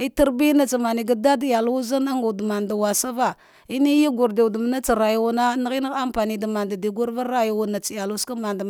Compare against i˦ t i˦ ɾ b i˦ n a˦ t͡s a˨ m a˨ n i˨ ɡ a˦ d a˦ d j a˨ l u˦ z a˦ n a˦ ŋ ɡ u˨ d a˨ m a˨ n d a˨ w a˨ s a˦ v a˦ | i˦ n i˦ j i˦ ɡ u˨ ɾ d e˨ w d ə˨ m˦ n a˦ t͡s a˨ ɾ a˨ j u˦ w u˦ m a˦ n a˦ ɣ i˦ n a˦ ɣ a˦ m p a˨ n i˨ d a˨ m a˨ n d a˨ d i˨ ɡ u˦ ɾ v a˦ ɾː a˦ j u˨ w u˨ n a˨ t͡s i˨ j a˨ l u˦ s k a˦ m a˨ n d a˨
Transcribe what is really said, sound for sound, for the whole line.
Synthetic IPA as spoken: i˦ t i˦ ɾ b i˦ n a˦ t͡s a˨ m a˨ n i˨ ɡ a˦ d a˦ d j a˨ l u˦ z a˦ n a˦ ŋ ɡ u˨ d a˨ m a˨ n d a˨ w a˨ s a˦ v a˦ | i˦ n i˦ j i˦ ɡ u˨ ɾ d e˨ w d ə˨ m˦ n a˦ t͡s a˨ ɾ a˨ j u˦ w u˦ n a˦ n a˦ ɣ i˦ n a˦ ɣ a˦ m p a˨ n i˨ d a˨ m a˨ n d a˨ d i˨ ɡ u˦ ɾ v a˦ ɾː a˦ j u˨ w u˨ n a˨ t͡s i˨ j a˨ l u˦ s k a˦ m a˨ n d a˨